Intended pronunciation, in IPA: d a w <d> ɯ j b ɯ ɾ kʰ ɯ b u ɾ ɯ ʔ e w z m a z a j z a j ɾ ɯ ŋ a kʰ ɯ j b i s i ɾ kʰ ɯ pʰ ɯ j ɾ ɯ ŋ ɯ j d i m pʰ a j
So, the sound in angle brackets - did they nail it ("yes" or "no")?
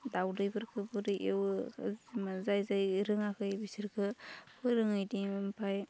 yes